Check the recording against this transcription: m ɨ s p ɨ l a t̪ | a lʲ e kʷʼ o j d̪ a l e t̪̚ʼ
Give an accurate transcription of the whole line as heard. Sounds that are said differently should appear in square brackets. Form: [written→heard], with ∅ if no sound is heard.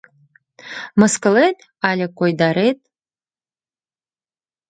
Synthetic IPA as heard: m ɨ s [p→k] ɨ l [a→e] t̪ | a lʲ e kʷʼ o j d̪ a [l→ɾ] e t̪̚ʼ